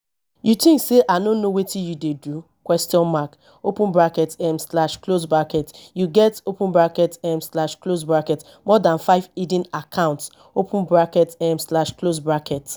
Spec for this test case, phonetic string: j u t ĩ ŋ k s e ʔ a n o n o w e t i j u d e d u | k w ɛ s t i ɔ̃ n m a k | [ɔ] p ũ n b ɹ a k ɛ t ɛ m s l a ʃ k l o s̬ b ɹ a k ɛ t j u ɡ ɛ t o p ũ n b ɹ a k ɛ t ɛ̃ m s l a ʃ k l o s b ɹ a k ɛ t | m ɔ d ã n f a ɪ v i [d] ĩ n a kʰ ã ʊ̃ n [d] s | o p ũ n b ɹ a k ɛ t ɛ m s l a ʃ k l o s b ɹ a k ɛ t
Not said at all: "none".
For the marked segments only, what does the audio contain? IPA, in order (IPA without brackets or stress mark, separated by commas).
o, d, t